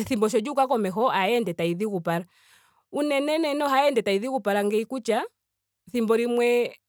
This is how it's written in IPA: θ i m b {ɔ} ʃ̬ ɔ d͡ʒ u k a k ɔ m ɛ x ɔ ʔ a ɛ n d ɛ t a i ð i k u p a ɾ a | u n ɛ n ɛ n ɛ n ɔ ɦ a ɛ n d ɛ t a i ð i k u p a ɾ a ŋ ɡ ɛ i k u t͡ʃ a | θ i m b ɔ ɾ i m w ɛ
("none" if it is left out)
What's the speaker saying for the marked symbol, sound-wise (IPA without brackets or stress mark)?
ɔ